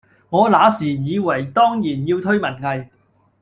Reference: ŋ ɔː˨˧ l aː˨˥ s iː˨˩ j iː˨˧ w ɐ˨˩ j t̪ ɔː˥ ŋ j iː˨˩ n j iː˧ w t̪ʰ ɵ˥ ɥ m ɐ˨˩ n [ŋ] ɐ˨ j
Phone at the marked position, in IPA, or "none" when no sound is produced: ŋ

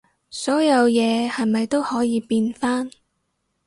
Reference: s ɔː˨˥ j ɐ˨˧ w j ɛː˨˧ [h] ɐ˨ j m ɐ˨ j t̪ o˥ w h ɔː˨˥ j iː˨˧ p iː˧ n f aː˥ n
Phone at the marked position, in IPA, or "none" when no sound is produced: h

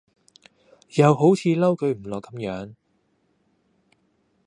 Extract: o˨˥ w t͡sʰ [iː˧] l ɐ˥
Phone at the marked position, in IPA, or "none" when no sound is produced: iː˧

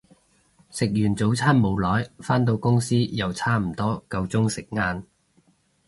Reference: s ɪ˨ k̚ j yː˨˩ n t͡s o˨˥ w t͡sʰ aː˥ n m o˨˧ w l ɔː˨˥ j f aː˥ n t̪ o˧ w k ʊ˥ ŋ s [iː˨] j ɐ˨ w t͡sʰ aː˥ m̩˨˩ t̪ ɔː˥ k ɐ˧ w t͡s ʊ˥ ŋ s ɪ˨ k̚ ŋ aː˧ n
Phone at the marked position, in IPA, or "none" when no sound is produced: iː˥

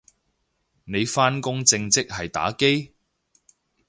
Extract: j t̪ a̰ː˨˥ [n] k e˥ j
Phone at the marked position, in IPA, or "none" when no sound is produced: none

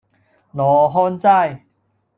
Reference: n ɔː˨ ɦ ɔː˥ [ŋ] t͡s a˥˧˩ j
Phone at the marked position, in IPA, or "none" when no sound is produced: n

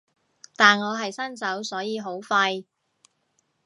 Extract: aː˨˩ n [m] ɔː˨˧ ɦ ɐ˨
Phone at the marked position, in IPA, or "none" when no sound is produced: ŋ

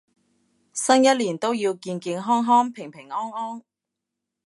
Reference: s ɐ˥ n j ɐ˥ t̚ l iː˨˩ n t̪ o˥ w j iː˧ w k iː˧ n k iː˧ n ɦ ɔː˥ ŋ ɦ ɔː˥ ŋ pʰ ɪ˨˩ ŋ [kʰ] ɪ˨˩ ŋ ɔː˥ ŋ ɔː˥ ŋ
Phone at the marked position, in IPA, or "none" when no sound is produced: pʰ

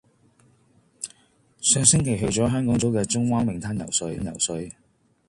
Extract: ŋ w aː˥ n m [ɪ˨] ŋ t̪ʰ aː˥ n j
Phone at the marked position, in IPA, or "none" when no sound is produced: ɪ˨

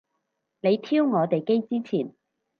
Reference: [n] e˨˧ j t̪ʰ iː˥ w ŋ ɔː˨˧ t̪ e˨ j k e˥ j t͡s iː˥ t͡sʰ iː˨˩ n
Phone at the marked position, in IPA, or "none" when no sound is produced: n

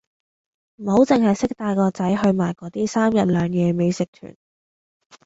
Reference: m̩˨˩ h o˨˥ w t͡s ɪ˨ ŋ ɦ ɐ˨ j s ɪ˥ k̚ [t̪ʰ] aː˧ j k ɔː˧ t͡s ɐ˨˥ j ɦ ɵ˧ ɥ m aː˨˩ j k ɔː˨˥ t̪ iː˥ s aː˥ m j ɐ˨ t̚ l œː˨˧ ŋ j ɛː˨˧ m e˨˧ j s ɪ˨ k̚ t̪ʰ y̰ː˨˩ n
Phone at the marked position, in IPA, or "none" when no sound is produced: t̪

